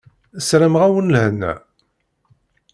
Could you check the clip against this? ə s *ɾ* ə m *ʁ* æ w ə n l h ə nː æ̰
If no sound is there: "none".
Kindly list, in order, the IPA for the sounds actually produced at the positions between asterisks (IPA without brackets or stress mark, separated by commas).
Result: ɾ, ʁ